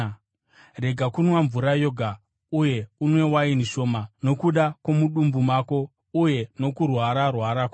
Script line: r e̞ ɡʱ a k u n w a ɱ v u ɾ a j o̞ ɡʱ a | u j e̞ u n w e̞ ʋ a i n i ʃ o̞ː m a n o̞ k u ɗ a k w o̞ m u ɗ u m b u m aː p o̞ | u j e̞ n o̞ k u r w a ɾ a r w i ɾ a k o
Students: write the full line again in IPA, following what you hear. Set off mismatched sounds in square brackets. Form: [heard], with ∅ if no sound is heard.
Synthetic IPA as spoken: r e̞ ɡʱ a k u n w a ɱ v u ɾ a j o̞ ɡʱ a | u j e̞ u n w e̞ [w] a i n i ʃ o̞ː m a n o̞ k u ɗ a k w o̞ m u ɗ u m b u m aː [k] o̞ | u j e̞ n o̞ k u r w a ɾ a r w [a] ɾ a k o

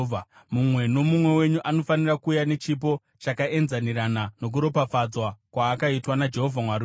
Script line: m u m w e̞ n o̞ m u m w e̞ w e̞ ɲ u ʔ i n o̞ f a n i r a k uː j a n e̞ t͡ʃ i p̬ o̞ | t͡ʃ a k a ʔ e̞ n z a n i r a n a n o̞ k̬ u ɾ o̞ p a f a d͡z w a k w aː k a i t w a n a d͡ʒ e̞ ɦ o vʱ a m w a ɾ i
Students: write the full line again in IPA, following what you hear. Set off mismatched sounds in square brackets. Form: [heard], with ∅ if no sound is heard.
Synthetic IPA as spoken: m u m w e̞ n o̞ m u m w e̞ w e̞ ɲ u ʔ [a] n o̞ f a n i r a k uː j a n e̞ t͡ʃ i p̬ o̞ | t͡ʃ a k a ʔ e̞ n z a n i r a n a n o̞ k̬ u ɾ o̞ p a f a d͡z w a k w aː k a i t w a n a d͡ʒ e̞ ɦ o vʱ a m w a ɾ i

